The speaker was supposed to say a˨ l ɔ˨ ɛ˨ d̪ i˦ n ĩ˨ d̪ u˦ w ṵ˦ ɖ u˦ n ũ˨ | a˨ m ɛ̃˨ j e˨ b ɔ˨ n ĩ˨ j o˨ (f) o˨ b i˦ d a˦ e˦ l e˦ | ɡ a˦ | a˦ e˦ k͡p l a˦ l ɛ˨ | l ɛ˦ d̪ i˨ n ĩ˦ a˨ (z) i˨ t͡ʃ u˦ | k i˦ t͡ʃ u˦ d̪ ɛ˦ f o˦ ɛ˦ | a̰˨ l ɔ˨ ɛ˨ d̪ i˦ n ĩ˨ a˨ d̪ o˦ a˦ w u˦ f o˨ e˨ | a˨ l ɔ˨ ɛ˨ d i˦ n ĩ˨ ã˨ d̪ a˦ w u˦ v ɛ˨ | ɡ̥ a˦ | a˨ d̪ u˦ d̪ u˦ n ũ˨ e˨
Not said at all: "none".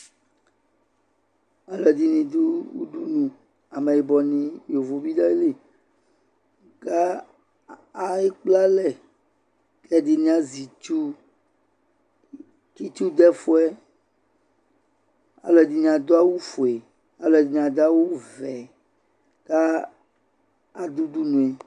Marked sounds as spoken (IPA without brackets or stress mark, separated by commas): v, z